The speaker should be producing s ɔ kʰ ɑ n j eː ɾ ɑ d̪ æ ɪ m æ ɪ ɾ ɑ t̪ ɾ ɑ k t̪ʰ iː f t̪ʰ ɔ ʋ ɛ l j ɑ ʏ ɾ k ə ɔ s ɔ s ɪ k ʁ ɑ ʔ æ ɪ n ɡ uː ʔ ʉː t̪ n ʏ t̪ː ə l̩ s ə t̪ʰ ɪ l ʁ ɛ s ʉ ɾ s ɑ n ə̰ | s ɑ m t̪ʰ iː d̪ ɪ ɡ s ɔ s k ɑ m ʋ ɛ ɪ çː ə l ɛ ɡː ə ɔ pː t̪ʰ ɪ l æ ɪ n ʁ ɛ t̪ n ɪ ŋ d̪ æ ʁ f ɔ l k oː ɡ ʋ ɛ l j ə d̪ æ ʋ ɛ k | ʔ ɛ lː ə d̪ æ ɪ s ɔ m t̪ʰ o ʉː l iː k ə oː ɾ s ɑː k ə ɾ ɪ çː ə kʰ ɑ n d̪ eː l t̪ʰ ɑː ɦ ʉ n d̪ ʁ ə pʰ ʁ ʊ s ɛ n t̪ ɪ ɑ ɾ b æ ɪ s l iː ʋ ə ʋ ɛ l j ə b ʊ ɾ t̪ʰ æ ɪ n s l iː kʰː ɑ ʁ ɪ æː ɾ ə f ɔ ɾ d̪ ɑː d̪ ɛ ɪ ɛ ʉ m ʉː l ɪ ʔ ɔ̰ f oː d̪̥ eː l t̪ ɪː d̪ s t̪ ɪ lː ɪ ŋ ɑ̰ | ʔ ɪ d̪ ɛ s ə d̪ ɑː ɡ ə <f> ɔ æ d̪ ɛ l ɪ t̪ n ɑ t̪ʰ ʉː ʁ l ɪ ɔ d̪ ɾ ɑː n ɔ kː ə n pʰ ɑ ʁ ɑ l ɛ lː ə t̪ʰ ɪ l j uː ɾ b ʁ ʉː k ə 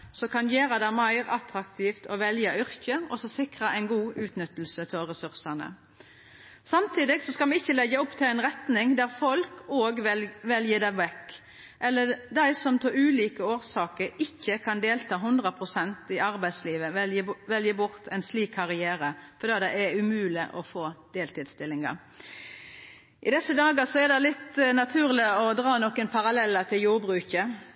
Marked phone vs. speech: incorrect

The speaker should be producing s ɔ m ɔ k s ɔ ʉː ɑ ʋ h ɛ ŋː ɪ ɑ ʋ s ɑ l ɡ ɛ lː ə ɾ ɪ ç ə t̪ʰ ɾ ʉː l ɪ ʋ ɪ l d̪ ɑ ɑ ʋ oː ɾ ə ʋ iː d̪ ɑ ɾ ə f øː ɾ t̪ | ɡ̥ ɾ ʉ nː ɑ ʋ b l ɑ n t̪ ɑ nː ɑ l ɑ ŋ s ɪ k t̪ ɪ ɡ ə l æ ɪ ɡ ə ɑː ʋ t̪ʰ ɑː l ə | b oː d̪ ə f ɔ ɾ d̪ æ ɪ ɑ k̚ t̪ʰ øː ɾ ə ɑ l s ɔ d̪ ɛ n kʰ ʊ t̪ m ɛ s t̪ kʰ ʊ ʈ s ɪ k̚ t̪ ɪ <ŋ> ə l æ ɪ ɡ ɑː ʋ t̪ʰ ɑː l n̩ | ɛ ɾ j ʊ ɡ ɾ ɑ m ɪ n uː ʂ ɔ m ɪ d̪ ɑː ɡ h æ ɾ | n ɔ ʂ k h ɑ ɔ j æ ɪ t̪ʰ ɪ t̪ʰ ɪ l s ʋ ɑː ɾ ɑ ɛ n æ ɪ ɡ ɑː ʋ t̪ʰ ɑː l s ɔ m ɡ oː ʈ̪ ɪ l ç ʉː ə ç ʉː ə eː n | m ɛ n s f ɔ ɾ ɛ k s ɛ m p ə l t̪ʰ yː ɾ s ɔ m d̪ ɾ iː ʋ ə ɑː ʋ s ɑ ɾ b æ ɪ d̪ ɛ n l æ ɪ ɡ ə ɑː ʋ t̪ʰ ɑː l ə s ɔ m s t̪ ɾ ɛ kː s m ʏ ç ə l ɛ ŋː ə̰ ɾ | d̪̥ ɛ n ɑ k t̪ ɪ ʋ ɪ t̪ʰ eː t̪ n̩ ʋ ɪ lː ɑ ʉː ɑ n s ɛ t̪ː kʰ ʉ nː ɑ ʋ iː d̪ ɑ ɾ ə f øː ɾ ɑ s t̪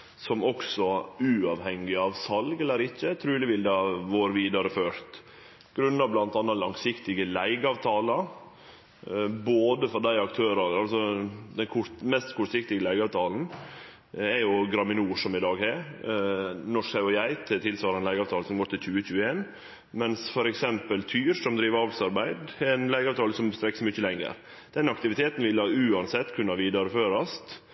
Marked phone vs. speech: incorrect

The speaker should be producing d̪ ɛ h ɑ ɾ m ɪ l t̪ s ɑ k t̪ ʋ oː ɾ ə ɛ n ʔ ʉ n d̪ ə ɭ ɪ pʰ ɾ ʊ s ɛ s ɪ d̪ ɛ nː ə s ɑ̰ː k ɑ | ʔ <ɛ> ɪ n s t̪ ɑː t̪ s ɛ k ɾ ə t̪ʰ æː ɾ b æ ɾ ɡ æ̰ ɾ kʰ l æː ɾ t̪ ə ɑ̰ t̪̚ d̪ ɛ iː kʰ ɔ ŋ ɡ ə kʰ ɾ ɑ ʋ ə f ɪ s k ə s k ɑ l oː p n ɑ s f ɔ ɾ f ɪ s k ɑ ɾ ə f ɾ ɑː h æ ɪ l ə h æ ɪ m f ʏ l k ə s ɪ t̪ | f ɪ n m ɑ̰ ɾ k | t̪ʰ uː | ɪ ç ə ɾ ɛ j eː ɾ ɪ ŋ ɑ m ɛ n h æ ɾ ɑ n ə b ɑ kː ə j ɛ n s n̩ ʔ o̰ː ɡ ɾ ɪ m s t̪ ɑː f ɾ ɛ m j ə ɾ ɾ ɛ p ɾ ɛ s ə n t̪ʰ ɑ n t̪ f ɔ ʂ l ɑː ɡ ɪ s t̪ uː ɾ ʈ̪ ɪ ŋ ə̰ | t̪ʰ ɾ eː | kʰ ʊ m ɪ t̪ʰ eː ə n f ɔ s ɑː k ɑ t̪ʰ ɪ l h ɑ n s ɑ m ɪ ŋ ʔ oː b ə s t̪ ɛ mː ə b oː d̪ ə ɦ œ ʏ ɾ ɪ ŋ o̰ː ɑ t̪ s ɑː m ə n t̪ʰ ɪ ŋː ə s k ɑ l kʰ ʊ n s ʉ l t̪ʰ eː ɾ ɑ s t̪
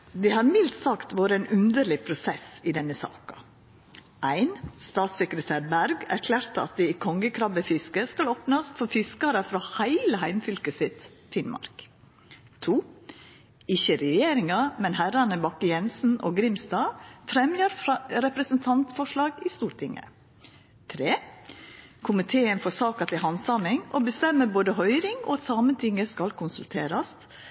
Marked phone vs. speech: incorrect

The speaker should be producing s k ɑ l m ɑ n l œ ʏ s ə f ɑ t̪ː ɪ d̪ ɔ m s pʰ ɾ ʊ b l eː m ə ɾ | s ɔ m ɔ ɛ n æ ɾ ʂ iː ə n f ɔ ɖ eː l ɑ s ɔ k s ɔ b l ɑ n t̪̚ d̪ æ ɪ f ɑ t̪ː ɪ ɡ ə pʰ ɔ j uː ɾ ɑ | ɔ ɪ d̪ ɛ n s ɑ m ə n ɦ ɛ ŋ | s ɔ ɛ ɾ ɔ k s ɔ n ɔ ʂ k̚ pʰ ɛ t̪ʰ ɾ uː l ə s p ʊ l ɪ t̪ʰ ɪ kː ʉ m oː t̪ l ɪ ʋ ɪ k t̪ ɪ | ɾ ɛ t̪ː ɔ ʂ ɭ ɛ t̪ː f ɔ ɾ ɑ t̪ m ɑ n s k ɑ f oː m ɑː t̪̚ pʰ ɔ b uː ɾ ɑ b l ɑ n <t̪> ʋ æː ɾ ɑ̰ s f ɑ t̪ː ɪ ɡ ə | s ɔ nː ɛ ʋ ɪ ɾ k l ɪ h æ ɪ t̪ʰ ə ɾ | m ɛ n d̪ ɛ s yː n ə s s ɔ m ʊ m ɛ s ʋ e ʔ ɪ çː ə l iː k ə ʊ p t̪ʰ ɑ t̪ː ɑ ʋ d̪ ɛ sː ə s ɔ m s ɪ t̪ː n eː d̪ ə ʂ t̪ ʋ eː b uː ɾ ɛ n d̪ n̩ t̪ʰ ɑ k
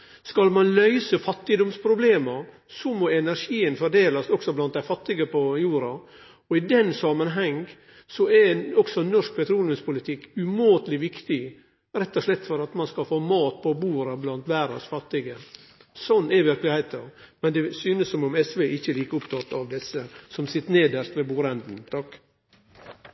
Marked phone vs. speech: correct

